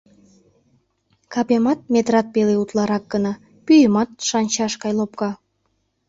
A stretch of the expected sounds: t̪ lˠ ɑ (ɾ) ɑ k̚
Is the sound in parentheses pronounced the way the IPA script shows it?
yes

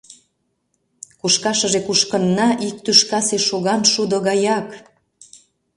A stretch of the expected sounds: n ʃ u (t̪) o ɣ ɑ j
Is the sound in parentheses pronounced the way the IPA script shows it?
no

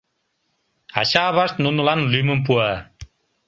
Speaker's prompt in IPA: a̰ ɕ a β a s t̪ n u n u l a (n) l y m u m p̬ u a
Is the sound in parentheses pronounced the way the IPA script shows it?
yes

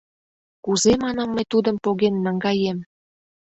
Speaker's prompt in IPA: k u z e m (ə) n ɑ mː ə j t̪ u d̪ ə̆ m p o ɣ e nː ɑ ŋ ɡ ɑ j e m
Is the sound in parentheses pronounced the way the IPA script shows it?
no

